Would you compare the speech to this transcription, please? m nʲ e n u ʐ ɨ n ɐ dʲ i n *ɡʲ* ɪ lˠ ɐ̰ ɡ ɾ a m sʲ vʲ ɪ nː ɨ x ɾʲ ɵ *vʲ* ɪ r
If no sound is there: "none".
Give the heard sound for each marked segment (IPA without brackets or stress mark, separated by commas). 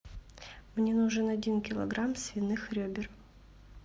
kʲ, bʲ